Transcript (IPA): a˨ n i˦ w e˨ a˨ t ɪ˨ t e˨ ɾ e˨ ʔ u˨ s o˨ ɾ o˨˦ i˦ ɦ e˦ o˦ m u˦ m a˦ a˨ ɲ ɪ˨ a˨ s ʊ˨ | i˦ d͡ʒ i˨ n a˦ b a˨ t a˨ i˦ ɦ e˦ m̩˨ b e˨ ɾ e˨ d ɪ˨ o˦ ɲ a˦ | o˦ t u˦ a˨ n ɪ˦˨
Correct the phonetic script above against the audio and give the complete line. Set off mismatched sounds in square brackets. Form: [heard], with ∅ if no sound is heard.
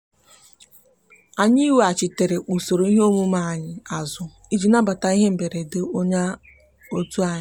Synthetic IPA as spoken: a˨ [ɲ] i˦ w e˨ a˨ [t͡ʃ] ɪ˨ t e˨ ɾ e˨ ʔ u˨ s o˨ ɾ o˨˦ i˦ ɦ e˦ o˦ m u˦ m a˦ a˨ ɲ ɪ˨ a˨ [z] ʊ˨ | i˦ d͡ʒ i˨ n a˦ b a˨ t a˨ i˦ ɦ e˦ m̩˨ b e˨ ɾ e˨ d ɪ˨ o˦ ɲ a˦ | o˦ t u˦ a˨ [ɲ] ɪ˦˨